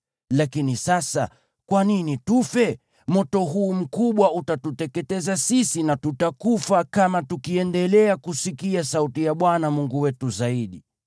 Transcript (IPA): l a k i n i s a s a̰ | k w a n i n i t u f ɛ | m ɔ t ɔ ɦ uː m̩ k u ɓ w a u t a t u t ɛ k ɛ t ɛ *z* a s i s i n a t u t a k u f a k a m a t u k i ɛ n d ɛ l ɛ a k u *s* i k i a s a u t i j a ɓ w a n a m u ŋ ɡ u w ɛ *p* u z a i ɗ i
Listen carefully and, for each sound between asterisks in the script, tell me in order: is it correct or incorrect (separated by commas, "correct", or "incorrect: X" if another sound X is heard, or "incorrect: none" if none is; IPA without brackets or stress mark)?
correct, correct, incorrect: t